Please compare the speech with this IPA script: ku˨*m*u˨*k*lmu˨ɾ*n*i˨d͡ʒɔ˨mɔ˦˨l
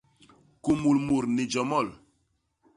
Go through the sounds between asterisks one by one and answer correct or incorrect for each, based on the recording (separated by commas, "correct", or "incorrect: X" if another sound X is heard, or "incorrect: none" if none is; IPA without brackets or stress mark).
correct, incorrect: none, correct